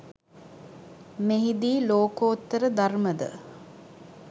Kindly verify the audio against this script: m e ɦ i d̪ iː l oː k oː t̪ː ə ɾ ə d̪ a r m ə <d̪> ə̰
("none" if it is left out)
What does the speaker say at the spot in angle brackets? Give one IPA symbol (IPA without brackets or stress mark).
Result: d̪